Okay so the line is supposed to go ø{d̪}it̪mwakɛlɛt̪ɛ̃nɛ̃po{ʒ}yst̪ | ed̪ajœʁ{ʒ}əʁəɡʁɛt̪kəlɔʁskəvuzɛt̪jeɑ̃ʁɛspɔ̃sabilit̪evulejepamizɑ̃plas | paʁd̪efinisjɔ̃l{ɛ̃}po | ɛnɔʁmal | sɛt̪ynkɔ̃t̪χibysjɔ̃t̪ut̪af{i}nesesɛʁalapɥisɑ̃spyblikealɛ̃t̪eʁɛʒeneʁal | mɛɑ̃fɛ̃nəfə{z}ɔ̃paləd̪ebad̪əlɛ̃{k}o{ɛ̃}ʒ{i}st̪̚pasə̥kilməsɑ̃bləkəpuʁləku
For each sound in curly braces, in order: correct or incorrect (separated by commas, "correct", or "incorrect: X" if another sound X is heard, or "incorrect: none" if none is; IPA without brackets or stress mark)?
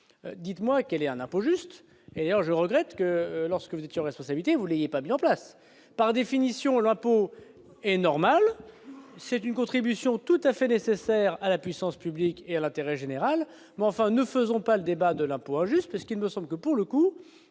correct, correct, correct, correct, incorrect: ɛ, correct, incorrect: p, correct, incorrect: y